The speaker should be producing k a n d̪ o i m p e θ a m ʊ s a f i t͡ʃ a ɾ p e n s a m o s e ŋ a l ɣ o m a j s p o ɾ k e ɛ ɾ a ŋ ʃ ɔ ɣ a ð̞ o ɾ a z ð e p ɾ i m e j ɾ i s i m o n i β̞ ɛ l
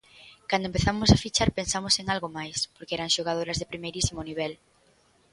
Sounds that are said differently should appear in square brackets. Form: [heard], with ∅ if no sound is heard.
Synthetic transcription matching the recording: k a n d̪ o [e] m p e θ a m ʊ s a f i t͡ʃ a ɾ p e n s a m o s e ŋ a l ɣ o m a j s p o ɾ k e ɛ ɾ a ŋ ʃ [o] ɣ a ð̞ o ɾ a z ð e p ɾ i m e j ɾ i s i m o n i β̞ ɛ l